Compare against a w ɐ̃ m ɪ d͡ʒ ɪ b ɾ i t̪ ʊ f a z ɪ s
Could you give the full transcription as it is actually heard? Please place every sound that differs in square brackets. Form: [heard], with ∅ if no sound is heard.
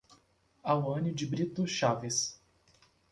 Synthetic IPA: a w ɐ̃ [n] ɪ d͡ʒ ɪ b ɾ i t̪ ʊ [ʃ] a [v] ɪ s

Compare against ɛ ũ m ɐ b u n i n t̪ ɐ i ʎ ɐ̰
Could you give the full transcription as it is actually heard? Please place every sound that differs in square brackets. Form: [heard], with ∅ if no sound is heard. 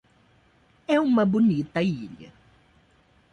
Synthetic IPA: ɛ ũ m ɐ b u n i [∅] t̪ ɐ i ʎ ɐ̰

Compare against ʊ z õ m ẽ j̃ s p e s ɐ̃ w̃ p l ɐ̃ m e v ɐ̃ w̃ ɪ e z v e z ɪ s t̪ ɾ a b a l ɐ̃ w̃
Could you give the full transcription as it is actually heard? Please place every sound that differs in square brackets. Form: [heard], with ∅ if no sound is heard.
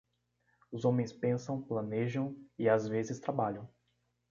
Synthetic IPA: ʊ z õ m ẽ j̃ s p [ẽ] s ɐ̃ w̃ p l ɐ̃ [n] e [ʒ] ɐ̃ w̃ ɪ [a] z v e z ɪ s t̪ ɾ a b a [ʎ] ɐ̃ w̃

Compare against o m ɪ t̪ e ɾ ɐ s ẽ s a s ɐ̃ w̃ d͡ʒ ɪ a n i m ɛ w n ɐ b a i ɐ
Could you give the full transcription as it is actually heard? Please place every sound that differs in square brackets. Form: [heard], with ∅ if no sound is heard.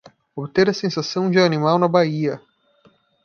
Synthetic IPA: o [b] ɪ t̪ e ɾ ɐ s ẽ s a s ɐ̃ w̃ d͡ʒ ɪ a n i m [a] w n ɐ b a i ɐ

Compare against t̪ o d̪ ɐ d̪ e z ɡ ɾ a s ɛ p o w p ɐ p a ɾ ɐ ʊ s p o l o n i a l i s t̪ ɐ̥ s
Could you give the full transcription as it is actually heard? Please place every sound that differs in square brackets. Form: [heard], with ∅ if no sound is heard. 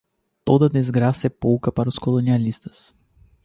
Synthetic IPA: t̪ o d̪ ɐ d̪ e z ɡ ɾ a s ɛ p o w [k] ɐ p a ɾ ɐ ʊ s [k] o l o n i a l i s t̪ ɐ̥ s

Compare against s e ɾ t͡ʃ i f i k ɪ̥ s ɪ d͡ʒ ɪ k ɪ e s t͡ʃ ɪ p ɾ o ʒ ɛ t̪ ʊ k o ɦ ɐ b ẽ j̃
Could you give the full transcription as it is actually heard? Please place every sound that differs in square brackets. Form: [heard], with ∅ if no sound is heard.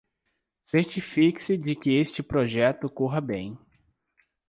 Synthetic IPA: s e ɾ t͡ʃ i f i k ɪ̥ s ɪ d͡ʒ ɪ k ɪ e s t͡ʃ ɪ p ɾ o ʒ ɛ t̪ ʊ k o ɦ ɐ b ẽ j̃

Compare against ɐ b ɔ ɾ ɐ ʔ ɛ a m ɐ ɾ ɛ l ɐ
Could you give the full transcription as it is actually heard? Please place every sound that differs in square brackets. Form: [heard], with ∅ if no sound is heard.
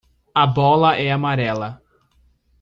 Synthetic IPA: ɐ b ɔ [l] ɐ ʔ ɛ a m [a] ɾ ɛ l ɐ

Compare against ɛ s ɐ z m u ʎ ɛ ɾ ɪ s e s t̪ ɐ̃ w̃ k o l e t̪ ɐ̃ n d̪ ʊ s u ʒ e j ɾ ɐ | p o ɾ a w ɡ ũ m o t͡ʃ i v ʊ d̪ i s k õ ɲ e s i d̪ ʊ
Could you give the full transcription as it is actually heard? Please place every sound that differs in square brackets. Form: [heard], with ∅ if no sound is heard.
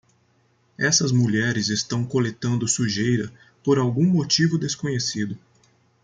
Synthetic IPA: ɛ s ɐ z m u ʎ ɛ ɾ ɪ [z] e s t̪ ɐ̃ w̃ k o l e t̪ ɐ̃ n d̪ ʊ s u ʒ e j ɾ ɐ | p o ɾ a w ɡ ũ m o t͡ʃ i v ʊ d̪ [e] s k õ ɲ e s i d̪ ʊ

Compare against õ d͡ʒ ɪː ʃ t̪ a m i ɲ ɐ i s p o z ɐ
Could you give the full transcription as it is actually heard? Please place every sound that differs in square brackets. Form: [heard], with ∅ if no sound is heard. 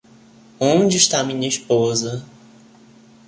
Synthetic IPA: õ d͡ʒ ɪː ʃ t̪ a m [ĩ] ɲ ɐ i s p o z ɐ

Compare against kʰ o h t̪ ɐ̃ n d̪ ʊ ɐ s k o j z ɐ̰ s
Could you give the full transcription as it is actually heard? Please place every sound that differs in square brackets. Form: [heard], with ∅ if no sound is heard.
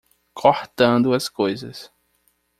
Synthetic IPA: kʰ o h t̪ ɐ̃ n d̪ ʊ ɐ s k o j z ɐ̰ s

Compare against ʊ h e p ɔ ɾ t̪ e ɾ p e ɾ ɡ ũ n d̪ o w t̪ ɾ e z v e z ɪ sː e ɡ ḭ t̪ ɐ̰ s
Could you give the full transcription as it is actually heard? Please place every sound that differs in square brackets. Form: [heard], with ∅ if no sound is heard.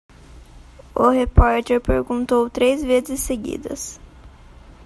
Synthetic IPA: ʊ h e p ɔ ɾ t̪ e ɾ p e ɾ ɡ ũ n [t̪] o w t̪ ɾ e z v e z ɪ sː e ɡ ḭ [d̪] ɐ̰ s

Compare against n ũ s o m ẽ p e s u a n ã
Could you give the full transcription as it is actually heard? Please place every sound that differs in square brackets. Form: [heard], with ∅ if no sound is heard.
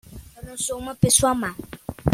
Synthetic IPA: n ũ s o m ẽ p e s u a [m] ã

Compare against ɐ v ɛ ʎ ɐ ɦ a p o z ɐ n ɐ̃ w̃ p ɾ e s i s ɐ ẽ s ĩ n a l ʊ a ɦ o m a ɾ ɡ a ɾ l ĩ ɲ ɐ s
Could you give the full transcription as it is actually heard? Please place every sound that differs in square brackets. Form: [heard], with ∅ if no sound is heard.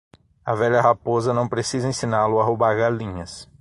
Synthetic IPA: ɐ v ɛ ʎ ɐ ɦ a p o z ɐ n ɐ̃ w̃ p ɾ e s i [z] ɐ ẽ s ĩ n a l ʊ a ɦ o [b] a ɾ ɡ a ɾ l ĩ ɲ ɐ s

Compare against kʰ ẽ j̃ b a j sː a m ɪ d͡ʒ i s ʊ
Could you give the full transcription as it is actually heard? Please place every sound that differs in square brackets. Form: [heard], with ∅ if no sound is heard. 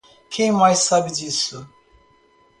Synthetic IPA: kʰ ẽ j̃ [m] a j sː a [b] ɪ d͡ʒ i s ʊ

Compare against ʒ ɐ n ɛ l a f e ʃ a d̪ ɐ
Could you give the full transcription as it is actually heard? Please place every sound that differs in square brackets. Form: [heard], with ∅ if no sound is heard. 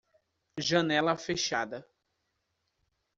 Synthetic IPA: ʒ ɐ n ɛ l [ɐ] f e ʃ a d̪ ɐ

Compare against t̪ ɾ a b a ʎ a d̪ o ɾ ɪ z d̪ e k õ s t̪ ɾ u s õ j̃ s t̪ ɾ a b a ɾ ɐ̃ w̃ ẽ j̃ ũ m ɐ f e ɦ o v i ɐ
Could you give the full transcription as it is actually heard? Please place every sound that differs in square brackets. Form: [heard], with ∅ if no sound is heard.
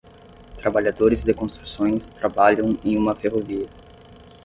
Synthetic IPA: t̪ ɾ a b a ʎ a d̪ o ɾ ɪ z d̪ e k õ s t̪ ɾ u s õ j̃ s t̪ ɾ a b a [ʎ] ɐ̃ w̃ ẽ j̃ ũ m ɐ f e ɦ o v i ɐ

